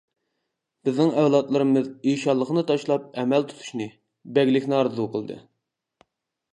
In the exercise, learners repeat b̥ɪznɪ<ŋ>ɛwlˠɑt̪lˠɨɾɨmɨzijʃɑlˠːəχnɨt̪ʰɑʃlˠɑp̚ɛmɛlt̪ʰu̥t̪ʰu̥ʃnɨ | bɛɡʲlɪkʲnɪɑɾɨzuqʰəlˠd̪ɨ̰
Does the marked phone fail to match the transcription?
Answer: no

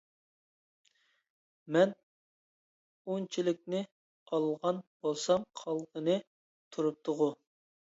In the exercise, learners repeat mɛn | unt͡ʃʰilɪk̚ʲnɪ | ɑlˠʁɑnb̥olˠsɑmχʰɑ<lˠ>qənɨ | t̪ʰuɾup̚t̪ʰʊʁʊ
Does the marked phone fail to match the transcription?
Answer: no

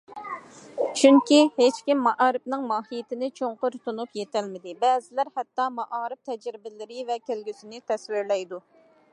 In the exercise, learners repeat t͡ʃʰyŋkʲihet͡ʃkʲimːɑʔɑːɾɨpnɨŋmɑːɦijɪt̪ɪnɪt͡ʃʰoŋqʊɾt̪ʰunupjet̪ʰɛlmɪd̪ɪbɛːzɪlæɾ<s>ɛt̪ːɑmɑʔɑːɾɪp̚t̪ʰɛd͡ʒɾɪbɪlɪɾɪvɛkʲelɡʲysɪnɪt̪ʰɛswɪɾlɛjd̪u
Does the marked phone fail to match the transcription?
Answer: yes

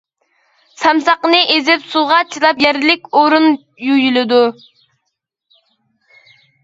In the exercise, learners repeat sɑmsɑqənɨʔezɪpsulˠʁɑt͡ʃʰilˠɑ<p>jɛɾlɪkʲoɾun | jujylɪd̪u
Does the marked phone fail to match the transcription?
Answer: no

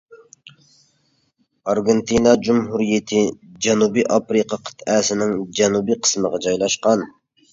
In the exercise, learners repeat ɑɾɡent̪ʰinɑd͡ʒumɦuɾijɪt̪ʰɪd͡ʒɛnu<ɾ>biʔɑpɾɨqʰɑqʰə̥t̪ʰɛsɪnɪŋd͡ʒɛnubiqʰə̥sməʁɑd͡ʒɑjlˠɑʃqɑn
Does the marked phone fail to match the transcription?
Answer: yes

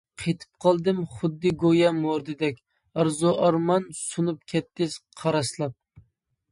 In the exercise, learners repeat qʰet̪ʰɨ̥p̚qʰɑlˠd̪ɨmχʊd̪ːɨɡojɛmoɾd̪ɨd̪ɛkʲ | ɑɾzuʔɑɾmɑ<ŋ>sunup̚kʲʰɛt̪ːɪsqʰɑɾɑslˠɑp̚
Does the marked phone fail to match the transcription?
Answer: yes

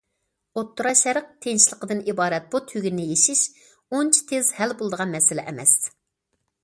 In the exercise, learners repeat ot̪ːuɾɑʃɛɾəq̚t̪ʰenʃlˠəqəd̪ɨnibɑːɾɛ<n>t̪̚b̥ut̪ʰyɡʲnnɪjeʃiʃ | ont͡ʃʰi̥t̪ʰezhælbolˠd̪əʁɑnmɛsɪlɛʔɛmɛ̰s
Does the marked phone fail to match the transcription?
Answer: yes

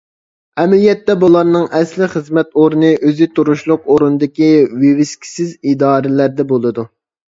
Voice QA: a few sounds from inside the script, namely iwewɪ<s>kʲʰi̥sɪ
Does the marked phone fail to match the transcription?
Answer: no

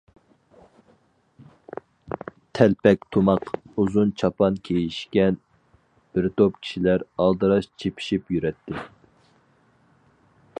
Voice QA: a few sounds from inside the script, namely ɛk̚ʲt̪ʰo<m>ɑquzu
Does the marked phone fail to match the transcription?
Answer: no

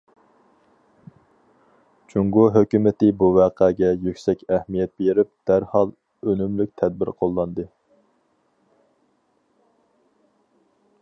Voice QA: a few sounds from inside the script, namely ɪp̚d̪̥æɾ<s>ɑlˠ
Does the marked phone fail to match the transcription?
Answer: yes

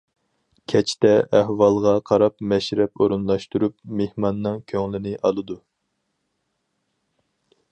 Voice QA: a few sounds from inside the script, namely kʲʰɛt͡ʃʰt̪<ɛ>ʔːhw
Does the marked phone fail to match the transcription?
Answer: no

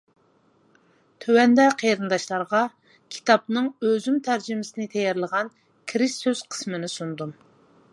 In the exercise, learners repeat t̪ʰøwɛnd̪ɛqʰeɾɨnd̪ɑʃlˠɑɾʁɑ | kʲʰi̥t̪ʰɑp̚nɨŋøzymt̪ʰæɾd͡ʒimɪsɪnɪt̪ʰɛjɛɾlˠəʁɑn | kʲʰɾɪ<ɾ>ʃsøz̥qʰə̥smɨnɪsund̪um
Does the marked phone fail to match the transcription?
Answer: yes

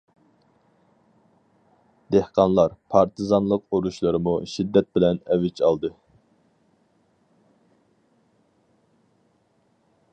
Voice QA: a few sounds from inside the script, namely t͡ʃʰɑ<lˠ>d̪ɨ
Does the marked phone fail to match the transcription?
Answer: no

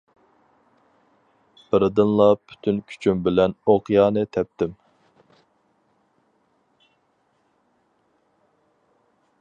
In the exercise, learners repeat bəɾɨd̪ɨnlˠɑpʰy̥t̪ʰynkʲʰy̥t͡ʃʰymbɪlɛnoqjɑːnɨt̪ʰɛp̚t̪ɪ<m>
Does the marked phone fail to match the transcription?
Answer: no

